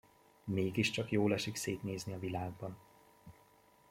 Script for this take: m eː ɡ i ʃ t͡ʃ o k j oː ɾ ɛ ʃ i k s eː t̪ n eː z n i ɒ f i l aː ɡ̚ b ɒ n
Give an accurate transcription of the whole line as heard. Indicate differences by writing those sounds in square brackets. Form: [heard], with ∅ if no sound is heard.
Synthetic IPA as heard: m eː ɡ i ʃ t͡ʃ [ɒ] k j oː [l] ɛ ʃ i k s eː t̪ n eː z n i ɒ [v] i l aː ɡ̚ b ɒ n